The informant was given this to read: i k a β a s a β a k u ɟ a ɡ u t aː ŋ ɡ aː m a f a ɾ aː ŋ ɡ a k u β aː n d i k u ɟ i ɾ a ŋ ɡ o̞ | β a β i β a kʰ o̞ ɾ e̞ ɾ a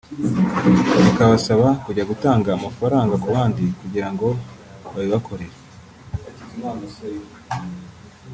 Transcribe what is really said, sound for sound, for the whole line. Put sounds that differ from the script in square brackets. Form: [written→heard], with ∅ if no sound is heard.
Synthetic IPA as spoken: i k a β a s a β a k u ɟ a ɡ u t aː ŋ ɡ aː m a f a ɾ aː ŋ ɡ a k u β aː n d i k u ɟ i ɾ a ŋ ɡ o̞ | β a β i β a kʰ o̞ ɾ e̞ ɾ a